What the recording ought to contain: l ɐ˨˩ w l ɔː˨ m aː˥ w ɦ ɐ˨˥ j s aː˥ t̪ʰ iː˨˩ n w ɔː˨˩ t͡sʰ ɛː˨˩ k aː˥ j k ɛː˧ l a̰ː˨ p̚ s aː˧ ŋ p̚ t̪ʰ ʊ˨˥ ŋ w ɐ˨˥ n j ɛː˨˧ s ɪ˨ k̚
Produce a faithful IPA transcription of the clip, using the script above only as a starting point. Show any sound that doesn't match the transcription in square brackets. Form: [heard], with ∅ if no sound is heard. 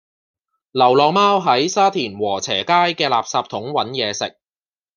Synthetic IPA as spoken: l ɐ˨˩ w l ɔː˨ m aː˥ w ɦ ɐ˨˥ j s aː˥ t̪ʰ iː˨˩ n w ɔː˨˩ t͡sʰ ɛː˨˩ k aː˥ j k ɛː˧ l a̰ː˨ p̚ s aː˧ [∅] p̚ t̪ʰ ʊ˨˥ ŋ w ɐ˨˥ n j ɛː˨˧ s ɪ˨ k̚